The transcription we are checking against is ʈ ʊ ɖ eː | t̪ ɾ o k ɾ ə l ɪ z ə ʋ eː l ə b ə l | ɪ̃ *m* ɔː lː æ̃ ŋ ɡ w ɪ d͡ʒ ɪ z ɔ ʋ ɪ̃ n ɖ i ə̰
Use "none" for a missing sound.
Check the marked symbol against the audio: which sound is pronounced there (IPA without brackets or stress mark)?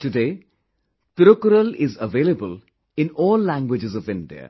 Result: n